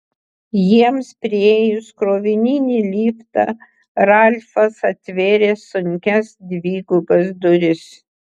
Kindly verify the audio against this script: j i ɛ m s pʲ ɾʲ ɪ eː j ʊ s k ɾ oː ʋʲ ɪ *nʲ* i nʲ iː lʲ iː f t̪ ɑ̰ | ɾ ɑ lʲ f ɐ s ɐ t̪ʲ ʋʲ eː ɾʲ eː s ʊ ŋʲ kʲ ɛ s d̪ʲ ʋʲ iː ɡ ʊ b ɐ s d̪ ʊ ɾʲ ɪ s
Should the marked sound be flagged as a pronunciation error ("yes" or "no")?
no